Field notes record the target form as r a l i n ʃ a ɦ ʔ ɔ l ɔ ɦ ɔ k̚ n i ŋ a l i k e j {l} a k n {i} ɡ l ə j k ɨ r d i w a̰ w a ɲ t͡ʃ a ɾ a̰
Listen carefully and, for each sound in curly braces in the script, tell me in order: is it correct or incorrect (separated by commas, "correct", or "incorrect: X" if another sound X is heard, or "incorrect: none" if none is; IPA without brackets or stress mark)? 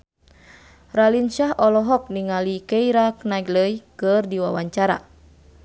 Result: incorrect: ɾ, incorrect: a